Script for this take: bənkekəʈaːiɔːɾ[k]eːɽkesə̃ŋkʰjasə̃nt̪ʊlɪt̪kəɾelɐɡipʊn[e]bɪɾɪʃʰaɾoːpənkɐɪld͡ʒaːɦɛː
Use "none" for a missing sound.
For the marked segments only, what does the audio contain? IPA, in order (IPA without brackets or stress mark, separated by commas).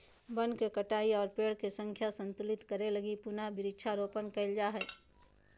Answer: p, a